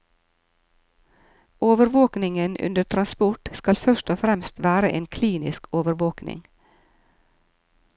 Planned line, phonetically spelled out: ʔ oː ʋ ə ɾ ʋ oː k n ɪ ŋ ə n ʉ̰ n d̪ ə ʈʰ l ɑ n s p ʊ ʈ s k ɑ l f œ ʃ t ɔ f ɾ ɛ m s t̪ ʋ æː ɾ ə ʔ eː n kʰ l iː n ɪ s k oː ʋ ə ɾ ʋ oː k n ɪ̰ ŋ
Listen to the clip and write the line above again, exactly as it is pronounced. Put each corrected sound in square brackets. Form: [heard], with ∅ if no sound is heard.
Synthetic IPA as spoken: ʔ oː ʋ ə ɾ ʋ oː k n ɪ ŋ ə n ʉ̰ n d̪ ə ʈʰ [ɾ] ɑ n s p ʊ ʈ s k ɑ l f œ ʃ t ɔ f ɾ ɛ m s t̪ ʋ æː ɾ ə ʔ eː n kʰ l iː n ɪ s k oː ʋ ə ɾ ʋ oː k n ɪ̰ ŋ

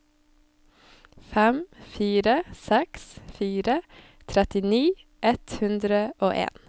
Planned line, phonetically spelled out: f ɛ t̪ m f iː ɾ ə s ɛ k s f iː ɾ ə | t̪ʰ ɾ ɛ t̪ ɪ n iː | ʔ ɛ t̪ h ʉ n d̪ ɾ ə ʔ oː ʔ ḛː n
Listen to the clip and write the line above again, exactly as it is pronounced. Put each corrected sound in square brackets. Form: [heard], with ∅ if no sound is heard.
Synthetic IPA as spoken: f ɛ [∅] m f iː ɾ ə s ɛ k s f iː ɾ ə | t̪ʰ ɾ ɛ t̪ ɪ n iː | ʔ ɛ t̪ h ʉ n d̪ ɾ ə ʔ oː ʔ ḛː n

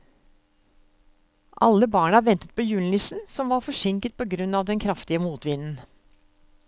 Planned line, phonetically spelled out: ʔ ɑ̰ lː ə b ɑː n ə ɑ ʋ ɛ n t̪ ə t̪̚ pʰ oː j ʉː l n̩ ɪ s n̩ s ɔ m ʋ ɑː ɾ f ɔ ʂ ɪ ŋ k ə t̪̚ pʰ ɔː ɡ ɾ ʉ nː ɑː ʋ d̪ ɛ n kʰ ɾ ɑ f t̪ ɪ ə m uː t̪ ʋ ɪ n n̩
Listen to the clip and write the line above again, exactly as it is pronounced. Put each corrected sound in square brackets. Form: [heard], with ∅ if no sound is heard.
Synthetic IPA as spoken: ʔ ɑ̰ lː ə b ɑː [ɳ] ə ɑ ʋ ɛ n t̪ ə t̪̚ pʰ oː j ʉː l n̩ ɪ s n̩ s ɔ m ʋ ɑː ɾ f ɔ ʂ ɪ ŋ k ə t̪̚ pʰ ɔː ɡ ɾ ʉ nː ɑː ʋ d̪ ɛ n kʰ ɾ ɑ f t̪ ɪ ə m uː t̪ ʋ ɪ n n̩

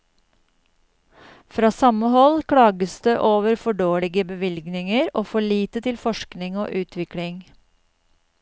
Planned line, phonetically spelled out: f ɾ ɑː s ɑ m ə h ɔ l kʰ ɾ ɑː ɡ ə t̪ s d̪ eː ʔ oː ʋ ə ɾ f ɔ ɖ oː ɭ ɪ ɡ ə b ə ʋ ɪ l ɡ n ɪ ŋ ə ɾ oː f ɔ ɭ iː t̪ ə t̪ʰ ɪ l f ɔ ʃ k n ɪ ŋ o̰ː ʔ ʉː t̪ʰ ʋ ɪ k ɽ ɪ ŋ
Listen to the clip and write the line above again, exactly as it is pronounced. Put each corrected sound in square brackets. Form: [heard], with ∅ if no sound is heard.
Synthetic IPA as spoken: f ɾ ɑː s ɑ m ə h ɔ l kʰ [ɽ] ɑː ɡ ə [∅] s d̪ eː ʔ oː ʋ ə ɾ f ɔ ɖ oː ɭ ɪ ɡ ə b ə ʋ ɪ l ɡ n ɪ ŋ ə ɾ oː f ɔ ɭ iː t̪ ə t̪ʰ ɪ l f ɔ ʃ k n ɪ ŋ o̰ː ʔ ʉː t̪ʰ ʋ ɪ k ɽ ɪ ŋ

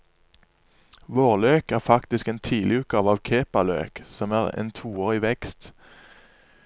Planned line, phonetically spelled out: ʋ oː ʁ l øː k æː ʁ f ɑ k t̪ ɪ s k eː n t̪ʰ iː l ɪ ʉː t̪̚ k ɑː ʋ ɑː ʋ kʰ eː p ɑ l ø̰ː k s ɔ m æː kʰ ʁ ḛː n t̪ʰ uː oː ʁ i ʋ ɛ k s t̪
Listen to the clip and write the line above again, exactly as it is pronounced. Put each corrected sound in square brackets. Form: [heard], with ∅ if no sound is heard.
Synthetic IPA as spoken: ʋ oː ʁ l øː k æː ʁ f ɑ k t̪ ɪ s k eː n t̪ʰ iː l ɪ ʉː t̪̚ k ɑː ʋ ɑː ʋ kʰ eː p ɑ l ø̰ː k s ɔ m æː [∅] ʁ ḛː n t̪ʰ uː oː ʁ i ʋ ɛ k s t̪

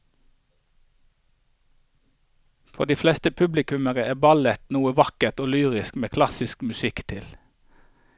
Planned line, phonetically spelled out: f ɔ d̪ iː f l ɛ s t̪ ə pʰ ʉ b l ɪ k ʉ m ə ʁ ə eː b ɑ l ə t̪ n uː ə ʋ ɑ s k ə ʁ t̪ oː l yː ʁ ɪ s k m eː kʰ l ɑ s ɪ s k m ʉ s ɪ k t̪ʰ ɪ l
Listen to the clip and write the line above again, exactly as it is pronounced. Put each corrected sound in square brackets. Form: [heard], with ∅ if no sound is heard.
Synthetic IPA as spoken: f ɔ d̪ iː f l ɛ s t̪ ə pʰ ʉ b l ɪ k ʉ m ə ʁ ə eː b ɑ l ə t̪ n uː ə ʋ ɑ [∅] k ə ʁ t̪ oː l yː ʁ ɪ s k m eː kʰ l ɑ s ɪ s k m ʉ s ɪ k t̪ʰ ɪ l

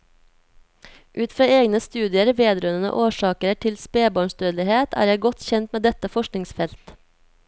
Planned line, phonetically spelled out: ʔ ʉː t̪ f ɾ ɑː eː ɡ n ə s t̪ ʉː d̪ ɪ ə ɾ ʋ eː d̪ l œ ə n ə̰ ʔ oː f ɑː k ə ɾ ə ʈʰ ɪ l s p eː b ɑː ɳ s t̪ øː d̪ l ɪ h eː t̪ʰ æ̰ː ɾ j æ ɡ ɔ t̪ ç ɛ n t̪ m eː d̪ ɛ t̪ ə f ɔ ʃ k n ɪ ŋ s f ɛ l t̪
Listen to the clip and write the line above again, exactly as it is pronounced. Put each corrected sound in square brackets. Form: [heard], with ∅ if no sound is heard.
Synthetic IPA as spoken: ʔ ʉː t̪ f ɾ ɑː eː ɡ n ə s t̪ ʉː d̪ ɪ ə ɾ ʋ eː d̪ [ɾ] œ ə n ə̰ ʔ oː [ʃ] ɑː k ə ɾ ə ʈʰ ɪ l s p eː b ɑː ɳ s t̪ øː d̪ l ɪ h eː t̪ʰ æ̰ː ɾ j æ ɡ ɔ t̪ ç ɛ n t̪ m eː d̪ ɛ t̪ ə f ɔ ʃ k n ɪ ŋ s f ɛ l t̪

